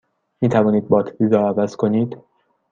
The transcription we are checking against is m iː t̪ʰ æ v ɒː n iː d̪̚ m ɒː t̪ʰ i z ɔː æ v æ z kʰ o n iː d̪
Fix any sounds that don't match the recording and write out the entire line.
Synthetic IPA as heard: m iː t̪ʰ æ v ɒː n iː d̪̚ b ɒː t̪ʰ i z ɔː æ v æ z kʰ o n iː d̪